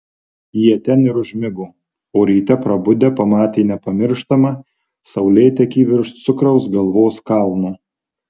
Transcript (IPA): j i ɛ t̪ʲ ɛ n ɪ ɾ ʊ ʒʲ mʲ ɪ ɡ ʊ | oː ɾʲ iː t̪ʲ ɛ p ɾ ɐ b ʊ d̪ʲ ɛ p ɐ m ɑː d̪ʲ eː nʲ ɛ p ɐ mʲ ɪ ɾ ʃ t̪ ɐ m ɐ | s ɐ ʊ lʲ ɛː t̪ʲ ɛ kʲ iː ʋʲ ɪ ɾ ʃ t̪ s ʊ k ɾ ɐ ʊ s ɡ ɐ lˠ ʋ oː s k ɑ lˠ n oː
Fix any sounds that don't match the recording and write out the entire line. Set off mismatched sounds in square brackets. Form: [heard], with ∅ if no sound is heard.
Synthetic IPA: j i ɛ t̪ʲ ɛ n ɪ ɾ ʊ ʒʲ mʲ ɪ ɡ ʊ | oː ɾʲ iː t̪ʲ ɛ p ɾ ɐ b ʊ d̪ʲ ɛ p ɐ m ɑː [t̪ʲ] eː nʲ ɛ p ɐ mʲ ɪ ɾ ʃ t̪ ɐ m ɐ | s ɐ ʊ lʲ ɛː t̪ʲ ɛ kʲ iː ʋʲ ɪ ɾ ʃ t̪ s ʊ k ɾ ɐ ʊ s ɡ ɐ lˠ ʋ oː s k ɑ lˠ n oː

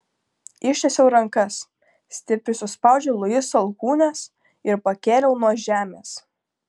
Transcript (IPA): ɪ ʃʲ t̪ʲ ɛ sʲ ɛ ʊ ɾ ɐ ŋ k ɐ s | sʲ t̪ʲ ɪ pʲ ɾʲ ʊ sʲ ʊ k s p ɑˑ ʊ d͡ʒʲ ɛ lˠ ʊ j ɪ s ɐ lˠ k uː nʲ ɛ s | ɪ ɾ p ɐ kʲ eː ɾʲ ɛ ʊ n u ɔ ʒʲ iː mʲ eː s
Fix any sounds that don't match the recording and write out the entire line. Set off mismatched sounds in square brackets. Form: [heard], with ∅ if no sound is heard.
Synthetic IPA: ɪ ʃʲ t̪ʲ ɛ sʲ ɛ ʊ ɾ ɐ ŋ k ɐ s | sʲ t̪ʲ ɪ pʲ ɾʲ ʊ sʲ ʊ [∅] s p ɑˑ ʊ d͡ʒʲ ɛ lˠ ʊ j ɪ s ɐ lˠ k uː nʲ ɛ s | ɪ ɾ p ɐ kʲ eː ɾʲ ɛ ʊ n u ɔ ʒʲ [æː] mʲ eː s

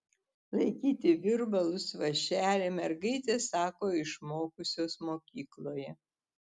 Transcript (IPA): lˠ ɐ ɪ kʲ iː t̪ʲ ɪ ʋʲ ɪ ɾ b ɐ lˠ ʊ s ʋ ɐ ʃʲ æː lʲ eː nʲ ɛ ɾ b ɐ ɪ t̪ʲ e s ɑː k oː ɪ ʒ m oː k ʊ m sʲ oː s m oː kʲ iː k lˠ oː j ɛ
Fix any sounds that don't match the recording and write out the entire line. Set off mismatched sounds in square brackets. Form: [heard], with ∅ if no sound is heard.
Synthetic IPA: lˠ ɐ ɪ kʲ iː t̪ʲ ɪ ʋʲ ɪ ɾ b ɐ lˠ ʊ s ʋ ɐ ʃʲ æː lʲ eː [mʲ] ɛ ɾ [ɡ] ɐ ɪ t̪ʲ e s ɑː k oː ɪ [ʃ] m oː k ʊ [∅] sʲ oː s m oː kʲ iː k lˠ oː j ɛ

